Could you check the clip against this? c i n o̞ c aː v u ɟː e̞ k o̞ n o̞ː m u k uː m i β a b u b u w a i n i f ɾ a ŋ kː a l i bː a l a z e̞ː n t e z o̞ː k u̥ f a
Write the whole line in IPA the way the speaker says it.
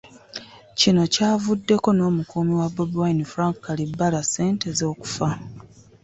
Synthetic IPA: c i n o̞ c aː v u dː e̞ k o̞ n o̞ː m u k uː m i w a b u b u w a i n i f ɾ a ŋ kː a l i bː a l a s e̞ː n t e z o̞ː k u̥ f a